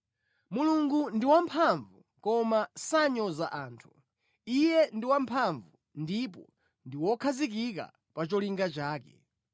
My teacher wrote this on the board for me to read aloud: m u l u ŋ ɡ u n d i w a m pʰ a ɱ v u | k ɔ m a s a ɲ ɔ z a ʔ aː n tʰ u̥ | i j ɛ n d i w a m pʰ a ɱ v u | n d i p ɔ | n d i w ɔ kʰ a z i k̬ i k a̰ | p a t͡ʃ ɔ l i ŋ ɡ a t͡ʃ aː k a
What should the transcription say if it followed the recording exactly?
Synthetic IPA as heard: m u l u ŋ ɡ u n d i w a m pʰ a ɱ v u | k ɔ m a s a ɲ ɔ z a ʔ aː n tʰ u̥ | i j ɛ n d i w a m pʰ a ɱ v u | n d i p ɔ | n d i w ɔ kʰ a z i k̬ i k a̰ | p a t͡ʃ ɔ l i ŋ ɡ a t͡ʃ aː k ɛ